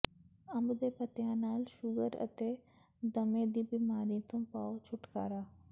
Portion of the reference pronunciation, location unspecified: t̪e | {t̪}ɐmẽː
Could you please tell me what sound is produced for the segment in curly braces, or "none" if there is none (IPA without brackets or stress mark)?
d̪